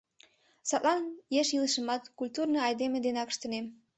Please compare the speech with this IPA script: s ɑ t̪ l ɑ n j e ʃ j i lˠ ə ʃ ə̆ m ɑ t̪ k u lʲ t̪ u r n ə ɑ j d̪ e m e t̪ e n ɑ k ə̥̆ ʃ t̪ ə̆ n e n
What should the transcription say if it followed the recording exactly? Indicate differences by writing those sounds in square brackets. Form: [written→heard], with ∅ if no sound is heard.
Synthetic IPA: s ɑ t̪ l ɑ n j e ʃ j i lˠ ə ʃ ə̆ m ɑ t̪ k u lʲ t̪ u r n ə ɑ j d̪ e m e [t̪→d̪] e n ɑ k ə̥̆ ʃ t̪ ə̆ n e [n→m]